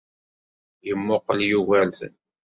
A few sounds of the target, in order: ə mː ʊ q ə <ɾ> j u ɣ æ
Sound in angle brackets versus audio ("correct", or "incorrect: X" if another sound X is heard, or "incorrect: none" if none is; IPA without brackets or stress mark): incorrect: l